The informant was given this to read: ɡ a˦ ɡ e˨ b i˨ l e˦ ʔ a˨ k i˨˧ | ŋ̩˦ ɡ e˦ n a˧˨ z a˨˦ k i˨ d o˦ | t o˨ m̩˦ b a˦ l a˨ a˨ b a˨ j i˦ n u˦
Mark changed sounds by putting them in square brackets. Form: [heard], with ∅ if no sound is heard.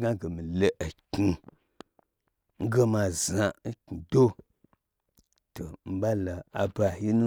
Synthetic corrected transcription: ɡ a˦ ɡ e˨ [m] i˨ l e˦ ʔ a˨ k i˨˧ | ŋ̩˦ ɡ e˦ [m] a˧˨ z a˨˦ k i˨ d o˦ | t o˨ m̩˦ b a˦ l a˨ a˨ b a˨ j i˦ n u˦